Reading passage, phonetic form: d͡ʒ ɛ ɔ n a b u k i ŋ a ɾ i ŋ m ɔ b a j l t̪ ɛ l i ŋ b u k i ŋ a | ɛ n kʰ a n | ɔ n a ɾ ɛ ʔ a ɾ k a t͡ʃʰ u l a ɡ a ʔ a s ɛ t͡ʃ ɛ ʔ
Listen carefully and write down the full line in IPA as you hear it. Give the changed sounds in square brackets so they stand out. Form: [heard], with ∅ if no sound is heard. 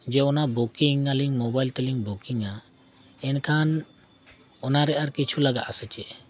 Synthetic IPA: d͡ʒ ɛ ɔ n a b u k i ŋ a [l] i ŋ m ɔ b a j l t̪ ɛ l i ŋ b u k i ŋ a | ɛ n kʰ a n | ɔ n a ɾ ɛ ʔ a ɾ k [i] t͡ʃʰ u l a ɡ a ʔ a s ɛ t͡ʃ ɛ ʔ